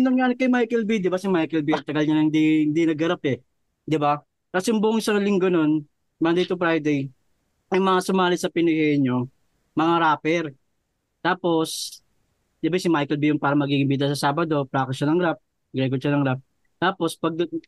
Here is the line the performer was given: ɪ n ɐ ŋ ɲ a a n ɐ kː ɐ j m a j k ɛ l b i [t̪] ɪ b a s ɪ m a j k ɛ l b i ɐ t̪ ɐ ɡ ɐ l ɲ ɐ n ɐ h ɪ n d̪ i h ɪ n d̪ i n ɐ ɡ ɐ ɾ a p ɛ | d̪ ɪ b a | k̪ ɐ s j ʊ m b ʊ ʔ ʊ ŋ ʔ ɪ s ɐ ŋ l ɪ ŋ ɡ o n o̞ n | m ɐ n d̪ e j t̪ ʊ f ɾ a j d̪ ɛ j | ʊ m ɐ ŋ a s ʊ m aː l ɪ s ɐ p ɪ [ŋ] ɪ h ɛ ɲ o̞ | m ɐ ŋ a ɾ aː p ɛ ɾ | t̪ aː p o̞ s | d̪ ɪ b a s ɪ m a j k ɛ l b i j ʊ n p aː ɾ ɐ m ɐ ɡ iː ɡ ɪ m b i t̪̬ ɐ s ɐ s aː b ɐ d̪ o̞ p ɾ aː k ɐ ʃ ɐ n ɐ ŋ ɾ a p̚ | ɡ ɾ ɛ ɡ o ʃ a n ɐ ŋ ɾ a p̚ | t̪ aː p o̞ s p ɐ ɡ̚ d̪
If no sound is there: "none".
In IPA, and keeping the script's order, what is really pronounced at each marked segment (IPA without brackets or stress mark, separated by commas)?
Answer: d̪, n